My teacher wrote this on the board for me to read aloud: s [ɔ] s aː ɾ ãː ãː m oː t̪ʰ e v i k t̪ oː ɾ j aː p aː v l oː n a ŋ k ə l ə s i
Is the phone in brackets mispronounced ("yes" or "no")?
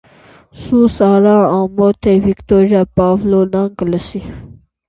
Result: yes